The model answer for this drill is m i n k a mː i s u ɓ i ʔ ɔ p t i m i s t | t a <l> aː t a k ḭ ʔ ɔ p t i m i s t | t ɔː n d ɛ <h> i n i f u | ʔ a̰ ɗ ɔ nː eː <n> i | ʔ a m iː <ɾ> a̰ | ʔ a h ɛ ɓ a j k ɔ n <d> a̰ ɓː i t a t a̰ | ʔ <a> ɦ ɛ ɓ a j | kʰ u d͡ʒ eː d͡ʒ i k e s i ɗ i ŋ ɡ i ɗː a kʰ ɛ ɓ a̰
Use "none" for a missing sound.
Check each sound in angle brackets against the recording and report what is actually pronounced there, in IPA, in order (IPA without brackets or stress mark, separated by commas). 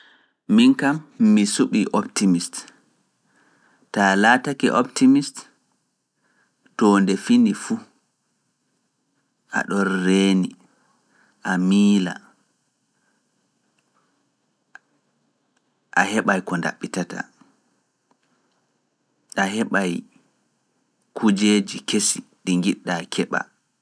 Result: l, f, n, l, d, a